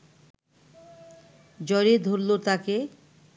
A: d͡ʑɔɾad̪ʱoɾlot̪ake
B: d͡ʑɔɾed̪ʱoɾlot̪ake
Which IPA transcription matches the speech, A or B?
B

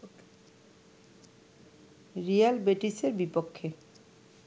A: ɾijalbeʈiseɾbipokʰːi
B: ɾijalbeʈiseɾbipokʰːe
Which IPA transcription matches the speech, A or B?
B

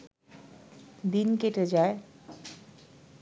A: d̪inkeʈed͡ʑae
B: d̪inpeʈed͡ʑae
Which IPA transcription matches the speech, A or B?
A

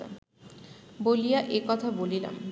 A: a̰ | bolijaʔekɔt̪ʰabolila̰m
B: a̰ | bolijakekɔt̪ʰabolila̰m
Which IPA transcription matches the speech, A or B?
A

